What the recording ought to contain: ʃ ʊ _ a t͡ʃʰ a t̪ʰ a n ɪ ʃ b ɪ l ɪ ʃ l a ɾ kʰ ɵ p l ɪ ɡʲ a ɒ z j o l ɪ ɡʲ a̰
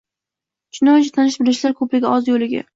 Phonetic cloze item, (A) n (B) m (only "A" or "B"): A